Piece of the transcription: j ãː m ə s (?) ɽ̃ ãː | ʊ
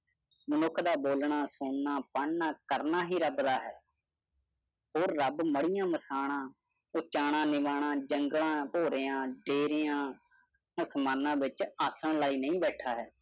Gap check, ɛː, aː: aː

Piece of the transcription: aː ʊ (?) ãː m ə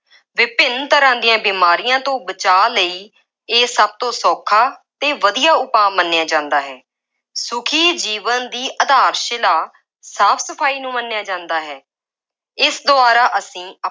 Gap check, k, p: p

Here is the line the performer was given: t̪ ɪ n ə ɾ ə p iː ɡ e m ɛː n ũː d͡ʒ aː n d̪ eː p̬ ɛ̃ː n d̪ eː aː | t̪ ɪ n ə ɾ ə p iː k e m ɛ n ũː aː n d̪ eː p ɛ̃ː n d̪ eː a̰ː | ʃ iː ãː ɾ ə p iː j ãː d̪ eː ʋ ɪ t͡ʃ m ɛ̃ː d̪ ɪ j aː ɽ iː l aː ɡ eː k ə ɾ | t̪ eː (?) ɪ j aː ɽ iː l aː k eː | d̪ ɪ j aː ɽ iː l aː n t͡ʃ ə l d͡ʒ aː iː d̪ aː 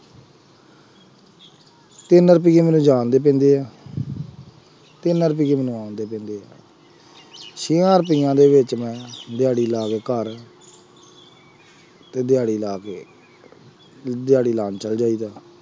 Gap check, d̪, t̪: d̪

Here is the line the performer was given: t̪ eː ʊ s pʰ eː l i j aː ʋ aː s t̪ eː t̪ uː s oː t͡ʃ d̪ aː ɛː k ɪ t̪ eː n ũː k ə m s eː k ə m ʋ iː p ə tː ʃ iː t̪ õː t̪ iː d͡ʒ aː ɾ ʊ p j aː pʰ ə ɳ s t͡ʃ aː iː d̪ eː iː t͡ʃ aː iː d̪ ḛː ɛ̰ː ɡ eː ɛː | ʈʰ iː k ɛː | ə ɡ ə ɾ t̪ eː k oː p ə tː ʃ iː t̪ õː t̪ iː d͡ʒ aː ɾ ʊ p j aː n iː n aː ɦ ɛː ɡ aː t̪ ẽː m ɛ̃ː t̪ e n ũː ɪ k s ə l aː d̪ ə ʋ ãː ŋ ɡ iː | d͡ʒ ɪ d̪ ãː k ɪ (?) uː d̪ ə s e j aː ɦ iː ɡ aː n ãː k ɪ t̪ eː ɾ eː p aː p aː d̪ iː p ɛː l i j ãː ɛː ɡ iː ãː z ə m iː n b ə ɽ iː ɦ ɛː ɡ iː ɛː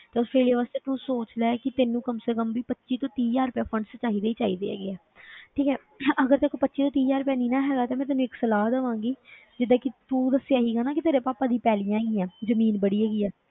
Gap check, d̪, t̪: t̪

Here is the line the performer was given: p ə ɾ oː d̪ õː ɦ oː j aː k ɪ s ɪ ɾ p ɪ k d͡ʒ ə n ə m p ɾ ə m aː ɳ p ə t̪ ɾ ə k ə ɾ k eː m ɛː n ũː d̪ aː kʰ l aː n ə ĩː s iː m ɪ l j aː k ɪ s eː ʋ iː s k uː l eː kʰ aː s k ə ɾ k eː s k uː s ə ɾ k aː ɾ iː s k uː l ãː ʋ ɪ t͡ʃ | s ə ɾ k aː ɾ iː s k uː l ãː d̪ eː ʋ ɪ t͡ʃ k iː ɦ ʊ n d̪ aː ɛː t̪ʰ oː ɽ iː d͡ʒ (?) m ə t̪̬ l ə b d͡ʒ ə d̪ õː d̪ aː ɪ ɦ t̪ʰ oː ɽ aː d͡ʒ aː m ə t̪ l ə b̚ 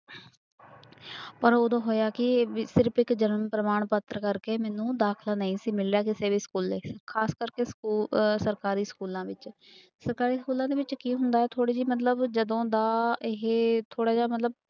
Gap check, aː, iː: iː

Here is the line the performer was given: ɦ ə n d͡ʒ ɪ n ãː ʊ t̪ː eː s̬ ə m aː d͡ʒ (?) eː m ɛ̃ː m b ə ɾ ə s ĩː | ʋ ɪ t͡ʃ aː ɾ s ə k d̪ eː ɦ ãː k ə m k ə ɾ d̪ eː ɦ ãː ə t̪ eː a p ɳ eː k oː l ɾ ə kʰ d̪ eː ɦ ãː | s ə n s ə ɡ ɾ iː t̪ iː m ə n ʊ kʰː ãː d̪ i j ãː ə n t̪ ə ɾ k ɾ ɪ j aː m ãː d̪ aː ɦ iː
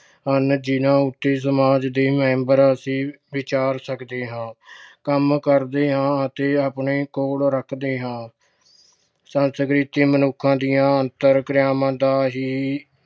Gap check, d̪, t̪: d̪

